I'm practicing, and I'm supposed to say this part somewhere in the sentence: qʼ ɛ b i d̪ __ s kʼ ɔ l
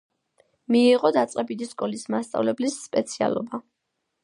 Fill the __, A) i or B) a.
A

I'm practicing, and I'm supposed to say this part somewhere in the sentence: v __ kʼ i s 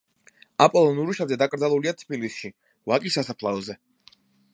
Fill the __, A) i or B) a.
B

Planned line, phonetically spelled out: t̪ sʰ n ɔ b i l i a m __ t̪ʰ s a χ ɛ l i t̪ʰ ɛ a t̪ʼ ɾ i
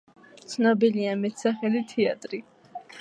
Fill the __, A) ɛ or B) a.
A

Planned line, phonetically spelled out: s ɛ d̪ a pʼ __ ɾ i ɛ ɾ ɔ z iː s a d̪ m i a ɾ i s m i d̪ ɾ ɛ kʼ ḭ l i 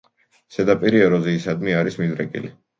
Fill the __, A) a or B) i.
B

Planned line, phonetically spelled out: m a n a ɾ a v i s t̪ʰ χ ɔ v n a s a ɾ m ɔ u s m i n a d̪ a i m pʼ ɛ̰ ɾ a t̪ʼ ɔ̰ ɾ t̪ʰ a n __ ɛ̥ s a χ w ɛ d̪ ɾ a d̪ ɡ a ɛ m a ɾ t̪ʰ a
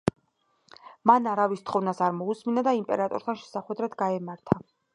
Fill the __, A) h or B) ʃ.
B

